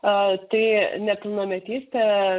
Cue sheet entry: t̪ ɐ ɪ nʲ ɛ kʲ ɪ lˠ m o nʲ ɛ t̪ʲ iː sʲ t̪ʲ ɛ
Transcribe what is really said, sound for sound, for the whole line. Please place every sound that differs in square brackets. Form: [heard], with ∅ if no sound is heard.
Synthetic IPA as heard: t̪ ɐ ɪ nʲ ɛ [pʲ] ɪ lˠ [n] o [mʲ] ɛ t̪ʲ iː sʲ t̪ʲ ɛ